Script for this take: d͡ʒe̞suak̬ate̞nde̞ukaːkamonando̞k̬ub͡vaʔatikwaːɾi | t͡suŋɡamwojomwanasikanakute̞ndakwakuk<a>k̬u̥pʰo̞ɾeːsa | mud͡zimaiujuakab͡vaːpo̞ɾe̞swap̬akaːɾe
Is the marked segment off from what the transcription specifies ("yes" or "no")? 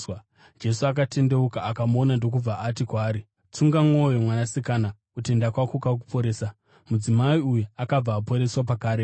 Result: no